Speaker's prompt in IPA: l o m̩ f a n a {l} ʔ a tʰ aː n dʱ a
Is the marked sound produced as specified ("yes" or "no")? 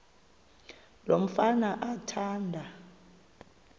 no